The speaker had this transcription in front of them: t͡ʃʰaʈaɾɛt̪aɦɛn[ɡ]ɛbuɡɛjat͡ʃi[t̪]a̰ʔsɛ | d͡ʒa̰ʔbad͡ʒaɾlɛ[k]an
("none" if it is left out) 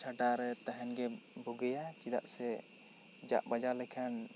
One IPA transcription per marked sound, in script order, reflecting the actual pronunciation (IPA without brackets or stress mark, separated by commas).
ɡ, d̪, kʰ